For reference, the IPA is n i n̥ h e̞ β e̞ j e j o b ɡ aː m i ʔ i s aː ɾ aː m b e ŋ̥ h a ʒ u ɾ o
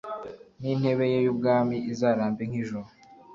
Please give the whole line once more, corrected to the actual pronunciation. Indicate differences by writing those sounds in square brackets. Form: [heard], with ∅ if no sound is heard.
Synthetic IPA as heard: n i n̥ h e̞ β e̞ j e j [u] b ɡ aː m i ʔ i [z] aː ɾ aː m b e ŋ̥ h [i] ʒ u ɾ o